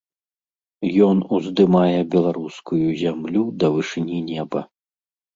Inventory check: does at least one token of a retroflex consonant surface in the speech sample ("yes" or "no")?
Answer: yes